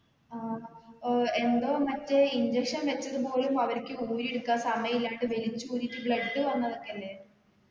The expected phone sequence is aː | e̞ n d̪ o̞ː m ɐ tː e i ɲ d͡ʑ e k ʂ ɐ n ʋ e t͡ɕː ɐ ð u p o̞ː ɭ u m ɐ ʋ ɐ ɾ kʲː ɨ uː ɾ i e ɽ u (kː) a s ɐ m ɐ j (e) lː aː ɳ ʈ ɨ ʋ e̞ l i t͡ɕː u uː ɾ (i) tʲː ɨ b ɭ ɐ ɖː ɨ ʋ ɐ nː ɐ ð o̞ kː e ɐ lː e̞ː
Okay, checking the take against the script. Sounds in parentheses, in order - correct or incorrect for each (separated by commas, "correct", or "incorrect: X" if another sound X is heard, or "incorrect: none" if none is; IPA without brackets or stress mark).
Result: correct, incorrect: i, correct